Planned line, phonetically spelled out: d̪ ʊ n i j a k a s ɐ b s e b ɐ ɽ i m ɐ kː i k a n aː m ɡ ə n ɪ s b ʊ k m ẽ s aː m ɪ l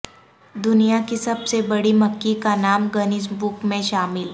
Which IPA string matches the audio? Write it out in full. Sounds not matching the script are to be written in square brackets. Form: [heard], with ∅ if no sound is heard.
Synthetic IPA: d̪ ʊ n i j a k [i] s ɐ b s e b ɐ ɽ i m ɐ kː i k a n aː m ɡ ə n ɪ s b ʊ k m ẽ [ʃ] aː m ɪ l